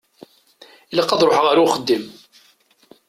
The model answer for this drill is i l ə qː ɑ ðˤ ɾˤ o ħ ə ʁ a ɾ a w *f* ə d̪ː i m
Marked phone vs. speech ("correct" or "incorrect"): incorrect